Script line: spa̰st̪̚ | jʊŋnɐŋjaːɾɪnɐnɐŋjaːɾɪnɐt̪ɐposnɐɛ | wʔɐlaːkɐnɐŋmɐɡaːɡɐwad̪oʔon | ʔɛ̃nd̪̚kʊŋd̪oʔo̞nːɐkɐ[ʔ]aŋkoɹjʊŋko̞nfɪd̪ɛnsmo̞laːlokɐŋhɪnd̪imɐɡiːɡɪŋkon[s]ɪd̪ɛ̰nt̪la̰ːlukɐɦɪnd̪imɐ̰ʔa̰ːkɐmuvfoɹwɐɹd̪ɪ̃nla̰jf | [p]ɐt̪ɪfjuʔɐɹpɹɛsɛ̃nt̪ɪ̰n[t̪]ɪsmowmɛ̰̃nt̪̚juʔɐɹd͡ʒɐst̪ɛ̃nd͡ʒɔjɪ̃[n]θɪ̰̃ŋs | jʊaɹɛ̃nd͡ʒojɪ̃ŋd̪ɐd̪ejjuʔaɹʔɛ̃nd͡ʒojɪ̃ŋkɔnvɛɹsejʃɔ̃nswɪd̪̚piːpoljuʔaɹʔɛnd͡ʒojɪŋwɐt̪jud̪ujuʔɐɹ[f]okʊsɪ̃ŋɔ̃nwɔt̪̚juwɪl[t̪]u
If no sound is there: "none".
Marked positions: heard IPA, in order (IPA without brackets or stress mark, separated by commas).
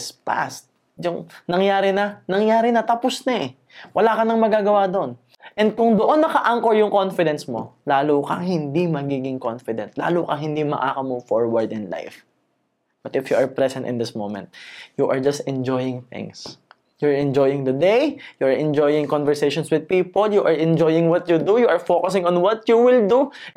ʔ, f, b, d̪, ŋ, f, d̪